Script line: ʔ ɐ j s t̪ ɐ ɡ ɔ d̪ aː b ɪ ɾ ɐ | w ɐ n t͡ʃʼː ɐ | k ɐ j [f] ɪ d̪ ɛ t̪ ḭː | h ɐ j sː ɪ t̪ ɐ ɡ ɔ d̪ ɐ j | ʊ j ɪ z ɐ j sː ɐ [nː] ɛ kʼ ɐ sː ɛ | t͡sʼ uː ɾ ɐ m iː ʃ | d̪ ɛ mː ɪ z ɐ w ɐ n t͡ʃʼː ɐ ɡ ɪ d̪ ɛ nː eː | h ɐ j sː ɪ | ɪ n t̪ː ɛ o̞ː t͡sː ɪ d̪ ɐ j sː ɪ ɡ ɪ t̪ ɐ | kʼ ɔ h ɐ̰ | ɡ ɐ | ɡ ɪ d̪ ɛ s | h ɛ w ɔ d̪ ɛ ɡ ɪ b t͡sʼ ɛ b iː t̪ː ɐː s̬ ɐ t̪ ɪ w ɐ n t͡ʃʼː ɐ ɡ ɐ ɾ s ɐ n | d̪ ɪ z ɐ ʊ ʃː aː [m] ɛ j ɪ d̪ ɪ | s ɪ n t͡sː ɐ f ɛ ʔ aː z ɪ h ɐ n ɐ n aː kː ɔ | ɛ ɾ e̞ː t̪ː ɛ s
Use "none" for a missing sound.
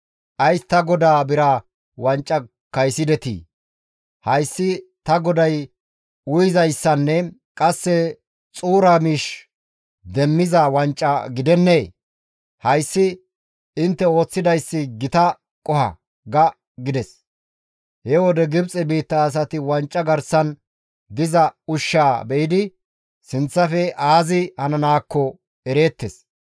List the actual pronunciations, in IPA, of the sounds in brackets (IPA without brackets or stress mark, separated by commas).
s, nː, b